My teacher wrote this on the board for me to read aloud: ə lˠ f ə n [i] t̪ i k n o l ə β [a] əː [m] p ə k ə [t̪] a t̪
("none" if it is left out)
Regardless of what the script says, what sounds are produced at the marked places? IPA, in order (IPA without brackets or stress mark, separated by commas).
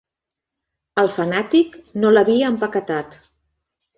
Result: a, i, m, t̪